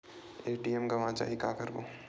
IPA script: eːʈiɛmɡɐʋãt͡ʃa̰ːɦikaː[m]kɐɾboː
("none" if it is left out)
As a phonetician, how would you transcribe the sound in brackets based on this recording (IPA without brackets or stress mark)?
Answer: none